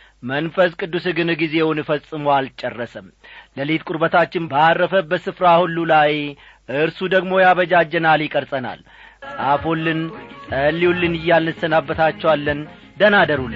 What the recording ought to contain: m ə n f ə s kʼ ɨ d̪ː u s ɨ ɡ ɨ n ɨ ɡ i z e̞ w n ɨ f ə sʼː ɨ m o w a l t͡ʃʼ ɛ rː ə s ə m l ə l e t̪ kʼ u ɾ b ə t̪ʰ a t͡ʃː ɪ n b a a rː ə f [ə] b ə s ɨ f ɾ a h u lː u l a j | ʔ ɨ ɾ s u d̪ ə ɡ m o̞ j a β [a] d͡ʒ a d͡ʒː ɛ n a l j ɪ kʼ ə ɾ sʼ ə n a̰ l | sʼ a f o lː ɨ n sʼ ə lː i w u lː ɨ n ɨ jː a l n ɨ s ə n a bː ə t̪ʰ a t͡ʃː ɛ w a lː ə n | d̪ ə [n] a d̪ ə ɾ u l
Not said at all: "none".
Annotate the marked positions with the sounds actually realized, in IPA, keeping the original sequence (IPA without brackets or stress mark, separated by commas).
ə, ə, n